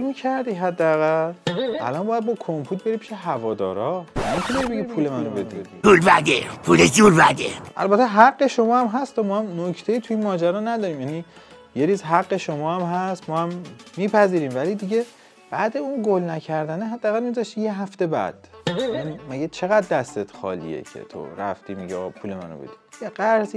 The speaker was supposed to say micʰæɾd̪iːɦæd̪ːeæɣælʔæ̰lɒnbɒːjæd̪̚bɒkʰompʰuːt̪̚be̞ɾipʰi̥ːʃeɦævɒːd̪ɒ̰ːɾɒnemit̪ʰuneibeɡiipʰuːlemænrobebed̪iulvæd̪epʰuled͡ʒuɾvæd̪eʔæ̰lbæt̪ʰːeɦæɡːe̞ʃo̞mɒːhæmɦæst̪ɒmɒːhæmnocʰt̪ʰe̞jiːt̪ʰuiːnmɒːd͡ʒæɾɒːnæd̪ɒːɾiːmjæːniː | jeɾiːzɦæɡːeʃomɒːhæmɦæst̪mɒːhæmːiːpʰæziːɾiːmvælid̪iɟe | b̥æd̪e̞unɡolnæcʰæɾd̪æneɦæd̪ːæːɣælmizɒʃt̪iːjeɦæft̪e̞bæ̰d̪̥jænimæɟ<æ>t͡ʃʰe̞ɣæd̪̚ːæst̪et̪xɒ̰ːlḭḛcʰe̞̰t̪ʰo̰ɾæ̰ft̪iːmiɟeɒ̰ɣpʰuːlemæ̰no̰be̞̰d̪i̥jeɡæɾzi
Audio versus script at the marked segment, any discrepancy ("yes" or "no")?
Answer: yes